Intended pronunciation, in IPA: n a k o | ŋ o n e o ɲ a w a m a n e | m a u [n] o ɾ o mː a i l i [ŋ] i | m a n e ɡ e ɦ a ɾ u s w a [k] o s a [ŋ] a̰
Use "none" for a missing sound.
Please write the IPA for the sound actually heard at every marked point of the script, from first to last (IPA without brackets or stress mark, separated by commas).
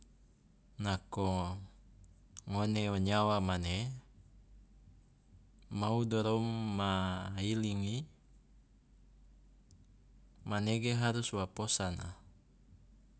d, ŋ, p, n